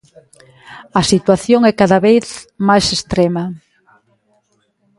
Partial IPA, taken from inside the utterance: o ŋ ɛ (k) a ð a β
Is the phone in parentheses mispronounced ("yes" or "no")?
no